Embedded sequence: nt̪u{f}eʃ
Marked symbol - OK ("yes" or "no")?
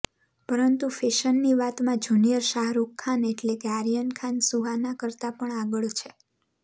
yes